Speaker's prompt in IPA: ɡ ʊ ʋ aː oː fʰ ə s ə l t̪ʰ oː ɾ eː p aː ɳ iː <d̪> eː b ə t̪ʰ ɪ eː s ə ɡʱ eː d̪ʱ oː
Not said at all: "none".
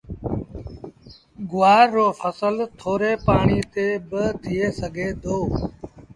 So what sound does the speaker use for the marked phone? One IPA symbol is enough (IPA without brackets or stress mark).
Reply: t̪